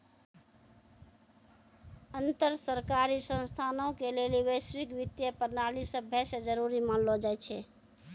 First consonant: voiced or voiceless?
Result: voiced